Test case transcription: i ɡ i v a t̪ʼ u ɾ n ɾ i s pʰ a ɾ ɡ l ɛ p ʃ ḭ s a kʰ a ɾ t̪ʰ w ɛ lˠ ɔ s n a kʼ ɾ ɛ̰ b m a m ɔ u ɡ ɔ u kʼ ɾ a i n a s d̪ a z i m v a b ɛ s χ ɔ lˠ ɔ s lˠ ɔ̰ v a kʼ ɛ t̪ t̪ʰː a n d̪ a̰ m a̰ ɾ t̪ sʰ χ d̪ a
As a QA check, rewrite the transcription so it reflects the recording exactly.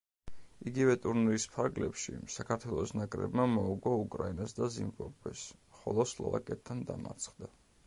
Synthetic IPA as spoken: i ɡ i v ɛ t̪ʼ u ɾ n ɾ i s pʰ a ɾ ɡ l ɛ p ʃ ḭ s a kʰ a ɾ t̪ʰ w ɛ lˠ ɔ s n a kʼ ɾ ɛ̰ b m a m ɔ u ɡ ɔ u kʼ ɾ a i n a s d̪ a z i m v a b ɛ s χ ɔ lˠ ɔ s lˠ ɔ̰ v a kʼ ɛ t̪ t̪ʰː a n d̪ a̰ m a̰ ɾ t̪ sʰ χ d̪ a

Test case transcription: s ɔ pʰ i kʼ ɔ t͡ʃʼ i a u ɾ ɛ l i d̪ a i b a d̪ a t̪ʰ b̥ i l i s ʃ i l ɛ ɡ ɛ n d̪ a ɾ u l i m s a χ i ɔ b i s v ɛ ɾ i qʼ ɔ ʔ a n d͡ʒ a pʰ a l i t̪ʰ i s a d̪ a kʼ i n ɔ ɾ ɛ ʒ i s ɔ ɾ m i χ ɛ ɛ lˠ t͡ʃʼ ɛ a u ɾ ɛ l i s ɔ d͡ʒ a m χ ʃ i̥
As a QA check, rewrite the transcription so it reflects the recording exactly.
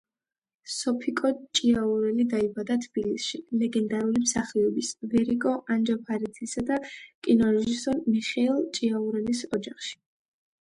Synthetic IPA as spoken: s ɔ pʰ i kʼ ɔ t͡ʃʼ i a u ɾ ɛ l i d̪ a i b a d̪ a t̪ʰ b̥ i l i s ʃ i l ɛ ɡ ɛ n d̪ a ɾ u l i m s a χ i ɔ b i s v ɛ ɾ i kʼ ɔ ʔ a n d͡ʒ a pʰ a ɾ i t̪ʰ i s a d̪ a kʼ i n ɔ ɾ ɛ ʒ i s ɔ ɾ m i χ ɛ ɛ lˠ t͡ʃʼ i a u ɾ ɛ l i s ɔ d͡ʒ a χ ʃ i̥

